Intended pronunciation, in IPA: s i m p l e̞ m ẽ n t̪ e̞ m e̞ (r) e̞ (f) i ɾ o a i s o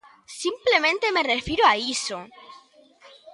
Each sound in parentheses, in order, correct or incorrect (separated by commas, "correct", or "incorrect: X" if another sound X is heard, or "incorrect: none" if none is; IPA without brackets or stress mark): correct, correct